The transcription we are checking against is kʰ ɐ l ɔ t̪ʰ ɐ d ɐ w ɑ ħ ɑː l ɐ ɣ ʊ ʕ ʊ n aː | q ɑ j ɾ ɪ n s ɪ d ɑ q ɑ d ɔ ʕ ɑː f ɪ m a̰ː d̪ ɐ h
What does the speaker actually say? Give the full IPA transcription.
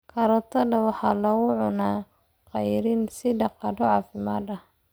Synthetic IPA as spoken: kʰ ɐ ɾ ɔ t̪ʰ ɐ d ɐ w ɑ ħ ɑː l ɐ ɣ ʊ ʕ ʊ n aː | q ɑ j ɾ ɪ n s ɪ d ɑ q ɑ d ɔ ʕ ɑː f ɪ m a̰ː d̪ ɐ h